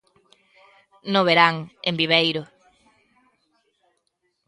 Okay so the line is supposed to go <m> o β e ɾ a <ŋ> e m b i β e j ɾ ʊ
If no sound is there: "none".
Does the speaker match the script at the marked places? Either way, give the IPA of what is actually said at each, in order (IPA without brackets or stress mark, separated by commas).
n, ŋ